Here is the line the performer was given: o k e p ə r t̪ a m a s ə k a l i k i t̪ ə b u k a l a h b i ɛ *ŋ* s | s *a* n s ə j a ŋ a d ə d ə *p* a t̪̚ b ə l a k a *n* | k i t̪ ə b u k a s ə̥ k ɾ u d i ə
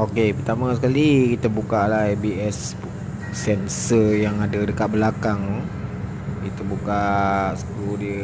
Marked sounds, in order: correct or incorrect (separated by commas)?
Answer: incorrect, incorrect, incorrect, incorrect